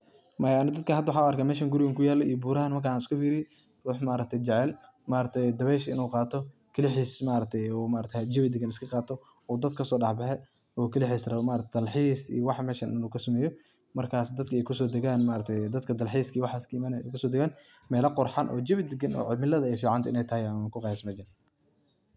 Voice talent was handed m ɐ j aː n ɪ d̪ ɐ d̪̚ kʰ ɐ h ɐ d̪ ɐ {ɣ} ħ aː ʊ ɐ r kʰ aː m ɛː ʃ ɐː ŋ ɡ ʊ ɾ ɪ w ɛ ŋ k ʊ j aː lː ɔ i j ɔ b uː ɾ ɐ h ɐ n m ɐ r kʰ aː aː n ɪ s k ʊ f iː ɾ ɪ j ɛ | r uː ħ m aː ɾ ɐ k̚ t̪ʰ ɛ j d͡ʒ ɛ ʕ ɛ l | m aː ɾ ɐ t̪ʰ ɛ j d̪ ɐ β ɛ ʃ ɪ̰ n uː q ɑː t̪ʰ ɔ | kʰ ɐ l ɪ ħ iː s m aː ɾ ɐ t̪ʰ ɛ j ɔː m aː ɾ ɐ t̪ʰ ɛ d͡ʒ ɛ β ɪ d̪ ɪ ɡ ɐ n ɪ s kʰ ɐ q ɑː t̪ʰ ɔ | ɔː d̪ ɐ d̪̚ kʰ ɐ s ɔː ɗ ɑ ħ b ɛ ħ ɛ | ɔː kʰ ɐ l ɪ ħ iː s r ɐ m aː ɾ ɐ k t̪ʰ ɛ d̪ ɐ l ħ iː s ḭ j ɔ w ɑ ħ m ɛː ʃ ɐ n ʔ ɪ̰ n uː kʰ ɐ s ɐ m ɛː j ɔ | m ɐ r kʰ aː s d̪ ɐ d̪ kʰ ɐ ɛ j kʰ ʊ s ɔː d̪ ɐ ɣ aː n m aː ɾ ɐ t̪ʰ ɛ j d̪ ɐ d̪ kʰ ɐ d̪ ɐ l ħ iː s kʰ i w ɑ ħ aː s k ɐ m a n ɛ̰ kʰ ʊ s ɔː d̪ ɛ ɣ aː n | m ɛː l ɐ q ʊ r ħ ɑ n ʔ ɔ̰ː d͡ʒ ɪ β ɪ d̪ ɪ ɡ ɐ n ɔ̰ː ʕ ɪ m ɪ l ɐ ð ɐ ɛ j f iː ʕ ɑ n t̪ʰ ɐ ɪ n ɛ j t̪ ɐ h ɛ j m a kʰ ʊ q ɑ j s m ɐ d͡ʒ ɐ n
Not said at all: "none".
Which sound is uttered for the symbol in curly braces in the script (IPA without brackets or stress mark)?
w